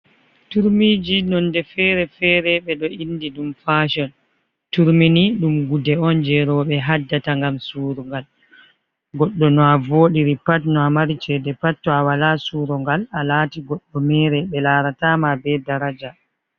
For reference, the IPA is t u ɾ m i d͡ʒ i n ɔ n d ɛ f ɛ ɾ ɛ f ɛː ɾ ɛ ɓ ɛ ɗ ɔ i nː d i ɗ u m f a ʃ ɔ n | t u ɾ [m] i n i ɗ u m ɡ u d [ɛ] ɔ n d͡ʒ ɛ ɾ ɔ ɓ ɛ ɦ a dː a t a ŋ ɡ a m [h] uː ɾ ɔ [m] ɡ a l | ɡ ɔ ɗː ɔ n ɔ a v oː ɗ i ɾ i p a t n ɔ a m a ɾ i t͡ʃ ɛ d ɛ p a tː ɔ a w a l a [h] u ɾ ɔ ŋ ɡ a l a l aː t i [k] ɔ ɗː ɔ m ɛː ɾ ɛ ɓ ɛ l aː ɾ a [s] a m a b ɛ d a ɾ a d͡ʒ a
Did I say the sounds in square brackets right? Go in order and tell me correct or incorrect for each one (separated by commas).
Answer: correct, correct, incorrect, incorrect, incorrect, incorrect, incorrect